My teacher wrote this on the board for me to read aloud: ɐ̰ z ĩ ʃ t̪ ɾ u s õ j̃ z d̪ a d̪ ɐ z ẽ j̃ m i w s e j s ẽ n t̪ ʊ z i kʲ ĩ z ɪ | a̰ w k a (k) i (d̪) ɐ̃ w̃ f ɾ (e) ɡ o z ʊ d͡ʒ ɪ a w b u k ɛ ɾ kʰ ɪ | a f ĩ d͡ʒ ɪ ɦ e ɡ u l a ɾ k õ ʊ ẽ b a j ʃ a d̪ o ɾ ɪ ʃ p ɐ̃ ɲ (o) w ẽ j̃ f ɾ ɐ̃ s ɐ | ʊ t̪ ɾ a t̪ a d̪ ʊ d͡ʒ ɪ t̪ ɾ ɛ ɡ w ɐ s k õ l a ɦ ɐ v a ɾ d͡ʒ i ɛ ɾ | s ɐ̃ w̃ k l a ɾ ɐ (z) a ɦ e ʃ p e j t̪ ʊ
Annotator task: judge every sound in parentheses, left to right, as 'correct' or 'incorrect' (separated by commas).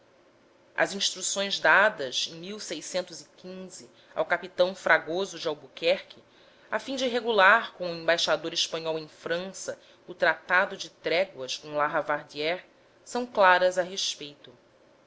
incorrect, incorrect, incorrect, incorrect, correct